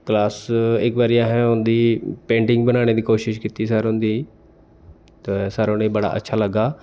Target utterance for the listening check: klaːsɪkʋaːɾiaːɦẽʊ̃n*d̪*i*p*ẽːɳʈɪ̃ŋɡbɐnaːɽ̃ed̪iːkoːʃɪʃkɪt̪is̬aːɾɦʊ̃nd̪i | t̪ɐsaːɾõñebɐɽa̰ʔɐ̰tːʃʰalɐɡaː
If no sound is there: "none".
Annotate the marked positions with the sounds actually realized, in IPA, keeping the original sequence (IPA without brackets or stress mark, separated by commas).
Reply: d̪, p